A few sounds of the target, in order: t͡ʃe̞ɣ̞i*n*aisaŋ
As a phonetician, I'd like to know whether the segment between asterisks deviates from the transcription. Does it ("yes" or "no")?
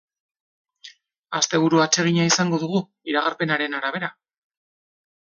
yes